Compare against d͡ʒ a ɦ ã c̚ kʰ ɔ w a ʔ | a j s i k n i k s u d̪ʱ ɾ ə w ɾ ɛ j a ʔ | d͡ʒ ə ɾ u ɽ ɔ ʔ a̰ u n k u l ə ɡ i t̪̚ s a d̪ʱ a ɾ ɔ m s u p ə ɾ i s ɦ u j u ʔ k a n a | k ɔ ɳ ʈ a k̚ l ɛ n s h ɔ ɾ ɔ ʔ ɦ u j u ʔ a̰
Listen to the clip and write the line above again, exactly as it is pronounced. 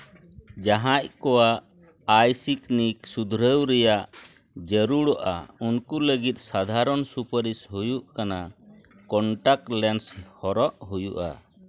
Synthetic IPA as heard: d͡ʒ a ɦ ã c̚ k ɔ w a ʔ | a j s i k n i k s u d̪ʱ ɾ ə w ɾ ɛ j a ʔ | d͡ʒ ə ɾ u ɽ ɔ ʔ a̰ u n k u l ə ɡ i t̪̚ s a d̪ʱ a ɾ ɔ n s u p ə ɾ i s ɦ u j u ʔ k a n a | k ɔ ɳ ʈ a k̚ l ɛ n s h ɔ ɾ ɔ ʔ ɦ u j u ʔ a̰

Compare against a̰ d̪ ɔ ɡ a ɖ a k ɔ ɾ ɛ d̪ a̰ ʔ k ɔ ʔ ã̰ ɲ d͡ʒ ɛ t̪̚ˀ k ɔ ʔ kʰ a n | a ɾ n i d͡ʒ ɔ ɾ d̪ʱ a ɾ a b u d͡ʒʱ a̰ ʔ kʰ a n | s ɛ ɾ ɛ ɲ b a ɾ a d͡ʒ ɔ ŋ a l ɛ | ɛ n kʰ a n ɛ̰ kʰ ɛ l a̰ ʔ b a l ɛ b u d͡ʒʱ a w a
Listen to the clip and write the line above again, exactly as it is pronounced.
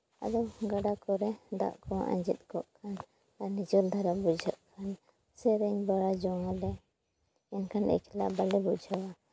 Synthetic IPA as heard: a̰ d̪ ɔ ɡ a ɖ a k ɔ ɾ ɛ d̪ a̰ ʔ k ɔ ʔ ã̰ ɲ d͡ʒ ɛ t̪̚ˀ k ɔ ʔ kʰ a n | a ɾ n i d͡ʒ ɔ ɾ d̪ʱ a ɾ a b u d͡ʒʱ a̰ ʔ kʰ a n | s ɛ ɾ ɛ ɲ b a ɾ a d͡ʒ ɔ ŋ a l ɛ | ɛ n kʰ a n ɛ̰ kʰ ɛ l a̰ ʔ b a l ɛ b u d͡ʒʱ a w a

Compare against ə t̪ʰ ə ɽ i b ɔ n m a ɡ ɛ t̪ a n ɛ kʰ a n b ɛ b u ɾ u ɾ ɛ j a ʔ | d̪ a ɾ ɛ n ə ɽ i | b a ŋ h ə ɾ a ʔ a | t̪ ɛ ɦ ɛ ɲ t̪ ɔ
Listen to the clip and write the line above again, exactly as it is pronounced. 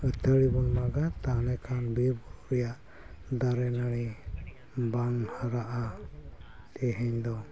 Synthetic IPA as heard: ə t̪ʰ ə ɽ i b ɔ n m a ɡ a t̪ a n ɛ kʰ a n b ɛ b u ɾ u ɾ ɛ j a ʔ | d̪ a ɾ ɛ n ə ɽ i | b a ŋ h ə ɾ a ʔ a | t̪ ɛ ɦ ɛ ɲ d̪ ɔ

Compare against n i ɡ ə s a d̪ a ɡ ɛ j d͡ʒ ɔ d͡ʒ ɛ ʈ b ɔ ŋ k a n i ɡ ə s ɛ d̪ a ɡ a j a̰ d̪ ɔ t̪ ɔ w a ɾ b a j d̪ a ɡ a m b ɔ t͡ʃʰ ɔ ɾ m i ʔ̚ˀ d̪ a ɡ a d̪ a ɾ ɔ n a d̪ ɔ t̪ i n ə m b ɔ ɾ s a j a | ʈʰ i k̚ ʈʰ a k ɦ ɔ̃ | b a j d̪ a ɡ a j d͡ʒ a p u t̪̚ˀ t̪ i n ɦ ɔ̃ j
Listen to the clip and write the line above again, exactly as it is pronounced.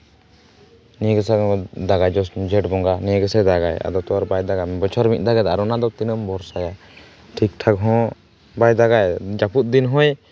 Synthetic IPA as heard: n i ɡ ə s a d̪ a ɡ a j d͡ʒ ɔ d͡ʒ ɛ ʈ b ɔ ŋ ɡ a n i ɡ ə s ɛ d̪ a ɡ a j a̰ d̪ ɔ t̪ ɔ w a ɾ b a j d̪ a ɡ a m b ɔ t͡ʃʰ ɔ ɾ m i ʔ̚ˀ d̪ a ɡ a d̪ a ɾ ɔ n a d̪ ɔ t̪ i n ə m b ɔ ɾ s a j a | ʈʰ i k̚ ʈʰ a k ɦ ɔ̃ | b a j d̪ a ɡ a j d͡ʒ a p u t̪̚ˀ d̪ i n ɦ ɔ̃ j

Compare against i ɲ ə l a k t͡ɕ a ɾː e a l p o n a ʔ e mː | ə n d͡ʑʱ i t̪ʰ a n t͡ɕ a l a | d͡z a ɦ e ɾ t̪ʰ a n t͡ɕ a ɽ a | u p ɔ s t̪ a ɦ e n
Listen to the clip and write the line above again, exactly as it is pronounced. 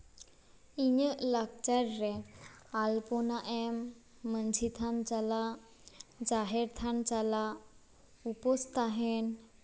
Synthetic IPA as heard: i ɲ ə l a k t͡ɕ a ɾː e a l p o n a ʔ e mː | ə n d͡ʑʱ i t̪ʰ a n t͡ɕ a l a | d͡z a ɦ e ɾ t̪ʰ a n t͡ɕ a l a | u p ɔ s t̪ a ɦ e n

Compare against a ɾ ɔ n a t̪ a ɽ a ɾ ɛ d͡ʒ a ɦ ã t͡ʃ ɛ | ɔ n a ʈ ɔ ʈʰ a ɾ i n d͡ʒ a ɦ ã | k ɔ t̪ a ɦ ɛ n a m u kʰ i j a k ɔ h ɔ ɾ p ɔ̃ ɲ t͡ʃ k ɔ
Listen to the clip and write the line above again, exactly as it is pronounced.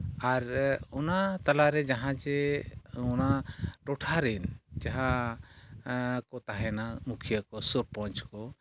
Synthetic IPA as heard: a ɾ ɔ n a t̪ a l a ɾ ɛ d͡ʒ a ɦ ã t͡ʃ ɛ | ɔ n a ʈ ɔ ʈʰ a ɾ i n d͡ʒ a ɦ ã | k ɔ t̪ a ɦ ɛ n a m u kʰ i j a k ɔ s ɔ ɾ p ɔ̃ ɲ t͡ʃ k ɔ

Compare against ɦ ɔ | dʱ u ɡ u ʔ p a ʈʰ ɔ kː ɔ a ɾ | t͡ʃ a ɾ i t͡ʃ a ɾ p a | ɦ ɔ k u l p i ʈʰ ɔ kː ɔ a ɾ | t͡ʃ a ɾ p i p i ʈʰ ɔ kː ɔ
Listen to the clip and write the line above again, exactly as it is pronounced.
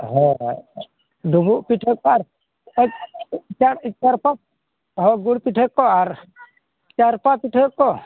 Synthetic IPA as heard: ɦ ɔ | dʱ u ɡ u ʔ p i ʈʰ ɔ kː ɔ a ɾ | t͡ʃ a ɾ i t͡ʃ a ɾ p a | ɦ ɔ ɡ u ɽ p i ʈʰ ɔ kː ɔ a ɾ | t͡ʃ a ɾ p a p i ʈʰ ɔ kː ɔ

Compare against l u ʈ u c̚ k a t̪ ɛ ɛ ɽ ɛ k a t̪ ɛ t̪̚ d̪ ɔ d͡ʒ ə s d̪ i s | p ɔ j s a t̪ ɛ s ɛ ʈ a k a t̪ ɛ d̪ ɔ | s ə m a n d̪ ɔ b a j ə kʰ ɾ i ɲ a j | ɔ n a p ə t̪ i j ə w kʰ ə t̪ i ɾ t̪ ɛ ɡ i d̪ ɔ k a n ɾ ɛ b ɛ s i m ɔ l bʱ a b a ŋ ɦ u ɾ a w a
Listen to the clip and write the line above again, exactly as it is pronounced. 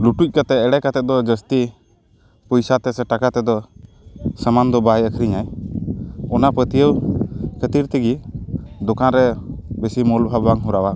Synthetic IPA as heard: l u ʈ u c̚ k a t̪ ɛ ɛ ɽ ɛ k a t̪ ɛ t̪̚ d̪ ɔ d͡ʒ ə s t̪ i | p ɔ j s a t̪ ɛ s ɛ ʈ a k a t̪ ɛ d̪ ɔ | s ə m a n d̪ ɔ b a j ə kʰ ɾ i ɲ a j | ɔ n a p ə t̪ i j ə w kʰ ə t̪ i ɾ t̪ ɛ ɡ i d̪ ɔ k a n ɾ ɛ b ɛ s i m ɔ l bʱ a b a ŋ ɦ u ɾ a w a

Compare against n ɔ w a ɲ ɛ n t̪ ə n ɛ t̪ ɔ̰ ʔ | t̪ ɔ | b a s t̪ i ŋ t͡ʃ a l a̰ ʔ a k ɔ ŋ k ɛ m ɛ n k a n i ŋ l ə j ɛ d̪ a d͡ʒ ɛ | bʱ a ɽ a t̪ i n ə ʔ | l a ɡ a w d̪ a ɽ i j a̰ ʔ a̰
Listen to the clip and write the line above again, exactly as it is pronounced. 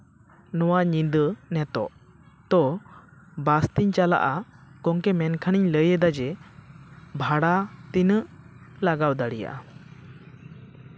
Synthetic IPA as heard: n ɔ w a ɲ i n d̪ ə n ɛ t̪ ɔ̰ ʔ | t̪ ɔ | b a s t̪ i ɲ t͡ʃ a l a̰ ʔ a k ɔ ŋ k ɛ m ɛ n kʰ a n i ɲ l ə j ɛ d̪ a d͡ʒ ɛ | bʱ a ɽ a t̪ i n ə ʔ | l a ɡ a w d̪ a ɽ i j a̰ ʔ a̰

